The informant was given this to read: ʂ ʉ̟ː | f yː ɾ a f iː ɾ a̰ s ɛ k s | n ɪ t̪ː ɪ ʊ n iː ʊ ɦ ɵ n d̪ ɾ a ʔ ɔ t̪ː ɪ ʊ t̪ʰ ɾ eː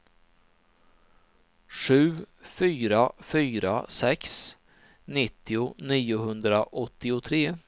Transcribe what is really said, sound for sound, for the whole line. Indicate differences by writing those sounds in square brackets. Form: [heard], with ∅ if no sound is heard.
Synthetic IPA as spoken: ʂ ʉ̟ː | f yː ɾ a f [yː] ɾ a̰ s ɛ k s | n ɪ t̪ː ɪ ʊ n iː ʊ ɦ ɵ n d̪ ɾ a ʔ ɔ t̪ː ɪ ʊ t̪ʰ ɾ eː

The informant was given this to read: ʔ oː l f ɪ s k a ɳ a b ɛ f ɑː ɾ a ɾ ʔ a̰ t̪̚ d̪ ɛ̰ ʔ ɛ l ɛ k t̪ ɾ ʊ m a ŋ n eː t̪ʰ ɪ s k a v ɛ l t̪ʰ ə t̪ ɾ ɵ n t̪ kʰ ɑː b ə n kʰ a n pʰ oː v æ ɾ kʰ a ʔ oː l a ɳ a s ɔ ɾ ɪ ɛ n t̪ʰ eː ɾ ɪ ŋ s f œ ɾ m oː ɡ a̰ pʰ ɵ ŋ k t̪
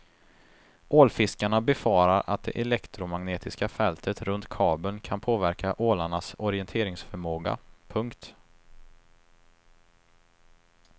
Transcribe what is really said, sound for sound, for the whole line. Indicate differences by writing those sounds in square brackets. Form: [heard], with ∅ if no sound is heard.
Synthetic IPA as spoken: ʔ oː l f ɪ s k a ɳ a b ɛ f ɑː ɾ a ɾ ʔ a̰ t̪̚ d̪ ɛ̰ ʔ ɛ l ɛ k t̪ ɾ ʊ m a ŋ n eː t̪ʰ ɪ s k a [f] ɛ l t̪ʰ ə t̪ ɾ ɵ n t̪ kʰ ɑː b ə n kʰ a n pʰ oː v æ ɾ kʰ a ʔ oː l a ɳ a s ɔ ɾ ɪ ɛ n t̪ʰ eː ɾ ɪ ŋ s f œ ɾ m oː ɡ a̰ pʰ ɵ ŋ k t̪

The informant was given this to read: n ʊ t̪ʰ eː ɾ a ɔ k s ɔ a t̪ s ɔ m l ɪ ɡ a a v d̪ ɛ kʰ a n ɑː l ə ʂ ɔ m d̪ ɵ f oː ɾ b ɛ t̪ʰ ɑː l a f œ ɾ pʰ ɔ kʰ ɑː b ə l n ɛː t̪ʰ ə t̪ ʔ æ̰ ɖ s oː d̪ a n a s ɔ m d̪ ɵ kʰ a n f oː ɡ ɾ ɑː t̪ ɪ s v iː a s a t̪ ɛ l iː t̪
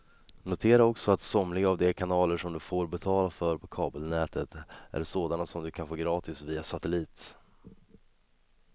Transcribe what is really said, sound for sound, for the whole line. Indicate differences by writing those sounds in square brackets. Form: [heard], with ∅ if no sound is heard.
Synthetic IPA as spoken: n ʊ t̪ʰ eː ɾ a ɔ k s ɔ a t̪ s ɔ m l ɪ ɡ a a v d̪ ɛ kʰ a n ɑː l ə ʂ ɔ m d̪ ɵ f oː ɾ b ɛ t̪ʰ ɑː l a f œ ɾ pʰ ɔ kʰ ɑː b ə l n ɛː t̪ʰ ə t̪ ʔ æ̰ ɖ s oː d̪ a n a s ɔ m d̪ ɵ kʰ a n f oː ɡ ɾ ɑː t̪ ɪ s v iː a s a t̪ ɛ l iː t̪

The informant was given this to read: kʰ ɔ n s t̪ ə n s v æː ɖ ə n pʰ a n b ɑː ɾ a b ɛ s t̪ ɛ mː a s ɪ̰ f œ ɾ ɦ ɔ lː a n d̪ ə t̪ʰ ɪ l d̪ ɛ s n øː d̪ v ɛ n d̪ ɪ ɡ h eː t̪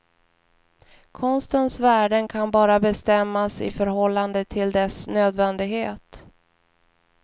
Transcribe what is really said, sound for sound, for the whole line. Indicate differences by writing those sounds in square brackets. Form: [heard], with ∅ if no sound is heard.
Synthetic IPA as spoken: kʰ ɔ n s t̪ ə n s v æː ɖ ə n [kʰ] a n b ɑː ɾ a b ɛ s t̪ ɛ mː a s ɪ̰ f œ ɾ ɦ ɔ lː a n d̪ ə t̪ʰ ɪ l d̪ ɛ s n øː d̪ v ɛ n d̪ ɪ ɡ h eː t̪

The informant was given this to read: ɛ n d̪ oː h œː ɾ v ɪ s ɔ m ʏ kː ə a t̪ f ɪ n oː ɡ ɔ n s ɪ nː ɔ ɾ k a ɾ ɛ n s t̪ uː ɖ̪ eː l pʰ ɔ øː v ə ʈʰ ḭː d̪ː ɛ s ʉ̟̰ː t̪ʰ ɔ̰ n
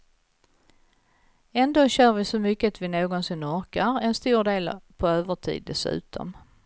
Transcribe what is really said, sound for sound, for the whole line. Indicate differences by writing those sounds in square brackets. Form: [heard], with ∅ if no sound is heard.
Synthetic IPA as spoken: ɛ n d̪ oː [ɕ] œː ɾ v ɪ s ɔ m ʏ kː ə a t̪ [v] ɪ n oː ɡ ɔ n s ɪ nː ɔ ɾ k a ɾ ɛ n s t̪ uː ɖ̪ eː l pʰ ɔ øː v ə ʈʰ ḭː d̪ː ɛ s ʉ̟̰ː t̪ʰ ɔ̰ [m]

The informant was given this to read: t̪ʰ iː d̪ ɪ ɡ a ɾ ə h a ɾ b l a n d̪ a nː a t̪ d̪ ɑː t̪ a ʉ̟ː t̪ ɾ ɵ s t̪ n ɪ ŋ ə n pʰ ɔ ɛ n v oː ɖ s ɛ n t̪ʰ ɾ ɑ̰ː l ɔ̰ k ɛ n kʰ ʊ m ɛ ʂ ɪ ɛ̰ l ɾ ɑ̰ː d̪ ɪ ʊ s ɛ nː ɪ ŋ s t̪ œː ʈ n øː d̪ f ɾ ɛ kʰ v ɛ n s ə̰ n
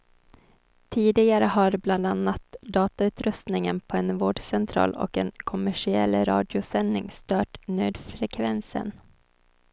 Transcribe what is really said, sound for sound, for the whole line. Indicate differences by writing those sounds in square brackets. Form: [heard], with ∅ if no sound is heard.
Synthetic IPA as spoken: t̪ʰ iː d̪ ɪ ɡ a ɾ ə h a ɾ b l a n d̪ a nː a t̪ d̪ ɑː t̪ a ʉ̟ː t̪ ɾ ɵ s t̪ n ɪ ŋ ə n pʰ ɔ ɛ n v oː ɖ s ɛ n t̪ʰ ɾ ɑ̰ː l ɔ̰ k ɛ n kʰ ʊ m [æ] ʂ ɪ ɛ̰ l ɾ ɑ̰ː d̪ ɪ ʊ s ɛ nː ɪ ŋ s t̪ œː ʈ n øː d̪ f ɾ ɛ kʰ v ɛ n s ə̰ n

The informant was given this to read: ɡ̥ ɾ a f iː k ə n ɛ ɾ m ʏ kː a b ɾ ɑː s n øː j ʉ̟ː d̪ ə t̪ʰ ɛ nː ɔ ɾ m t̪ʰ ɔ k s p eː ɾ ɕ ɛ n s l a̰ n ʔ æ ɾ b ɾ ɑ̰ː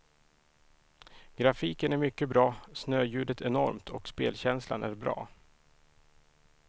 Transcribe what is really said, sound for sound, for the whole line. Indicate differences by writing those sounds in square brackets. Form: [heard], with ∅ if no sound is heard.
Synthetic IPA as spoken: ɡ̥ ɾ a f iː k ə n [æ] ɾ m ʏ kː [ə] b ɾ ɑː s n øː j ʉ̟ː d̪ ə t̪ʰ ɛ [n] ɔ ɾ m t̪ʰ ɔ k s p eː [l] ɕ ɛ n s l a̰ n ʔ æ ɾ b ɾ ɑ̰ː

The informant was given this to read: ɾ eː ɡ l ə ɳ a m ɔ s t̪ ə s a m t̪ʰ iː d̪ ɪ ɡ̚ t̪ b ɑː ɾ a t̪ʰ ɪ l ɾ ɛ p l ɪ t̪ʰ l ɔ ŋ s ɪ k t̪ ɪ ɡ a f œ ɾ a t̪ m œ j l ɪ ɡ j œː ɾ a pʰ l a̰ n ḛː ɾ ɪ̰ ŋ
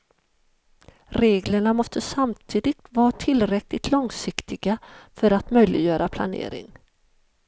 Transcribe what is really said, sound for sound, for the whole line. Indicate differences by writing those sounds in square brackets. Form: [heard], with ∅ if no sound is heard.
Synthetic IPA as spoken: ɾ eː ɡ l ə ɳ a m ɔ s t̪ ə s a m t̪ʰ iː d̪ ɪ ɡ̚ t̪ [v] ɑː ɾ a t̪ʰ ɪ l ɾ ɛ [k] l ɪ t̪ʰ l ɔ ŋ s ɪ k t̪ ɪ ɡ a f œ ɾ a t̪ m œ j l ɪ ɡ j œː ɾ a pʰ l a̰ n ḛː ɾ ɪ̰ ŋ

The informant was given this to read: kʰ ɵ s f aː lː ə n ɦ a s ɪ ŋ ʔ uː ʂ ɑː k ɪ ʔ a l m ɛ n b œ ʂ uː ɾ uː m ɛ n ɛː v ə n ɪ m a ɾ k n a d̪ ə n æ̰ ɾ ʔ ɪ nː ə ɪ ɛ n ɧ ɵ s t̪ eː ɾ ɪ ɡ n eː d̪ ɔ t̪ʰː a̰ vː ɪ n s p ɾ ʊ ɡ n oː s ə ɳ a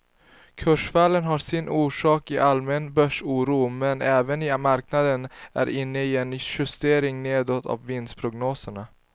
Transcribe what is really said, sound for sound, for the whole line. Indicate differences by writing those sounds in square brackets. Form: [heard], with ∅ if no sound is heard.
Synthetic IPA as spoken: kʰ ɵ [ʂ] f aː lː ə n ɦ a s ɪ [n] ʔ uː ʂ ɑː k ɪ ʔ a l m ɛ n b œ ʂ uː ɾ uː m ɛ n ɛː v ə n ɪ m a ɾ k n a d̪ ə n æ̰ ɾ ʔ ɪ nː ə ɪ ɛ n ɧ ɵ s t̪ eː ɾ ɪ [ŋ] n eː d̪ ɔ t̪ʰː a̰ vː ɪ n s [pʰ] ɾ ʊ ɡ n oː s ə ɳ a

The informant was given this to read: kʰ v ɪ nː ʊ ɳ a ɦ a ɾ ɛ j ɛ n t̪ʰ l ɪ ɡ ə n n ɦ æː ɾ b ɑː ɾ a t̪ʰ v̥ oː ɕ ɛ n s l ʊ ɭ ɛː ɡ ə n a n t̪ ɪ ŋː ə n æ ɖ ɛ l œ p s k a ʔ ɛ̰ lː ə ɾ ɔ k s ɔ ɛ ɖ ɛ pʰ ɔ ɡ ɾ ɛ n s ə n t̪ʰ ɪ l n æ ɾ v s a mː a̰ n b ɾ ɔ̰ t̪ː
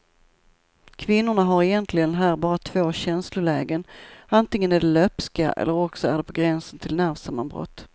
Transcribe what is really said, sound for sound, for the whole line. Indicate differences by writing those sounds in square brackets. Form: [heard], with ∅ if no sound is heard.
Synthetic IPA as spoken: kʰ v ɪ nː ʊ ɳ a ɦ a ɾ ɛ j ɛ n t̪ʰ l ɪ ɡ ə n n ɦ æː ɾ b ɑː ɾ a t̪ʰ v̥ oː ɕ ɛ n s l ʊ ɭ ɛː ɡ ə n a n t̪ ɪ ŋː ə n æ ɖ ɛ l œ p s k a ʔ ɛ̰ lː ə ɾ ɔ k s ɔ [æ] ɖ ɛ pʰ ɔ ɡ ɾ ɛ n s ə n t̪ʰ ɪ l n æ ɾ v s a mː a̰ n b ɾ ɔ̰ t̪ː

